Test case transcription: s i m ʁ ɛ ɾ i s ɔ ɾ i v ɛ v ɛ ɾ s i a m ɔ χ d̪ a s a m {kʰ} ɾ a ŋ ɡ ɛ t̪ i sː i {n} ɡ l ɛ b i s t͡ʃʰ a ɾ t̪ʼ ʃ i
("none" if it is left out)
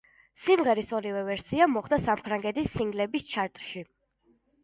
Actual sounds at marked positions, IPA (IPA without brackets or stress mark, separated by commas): pʰ, ŋ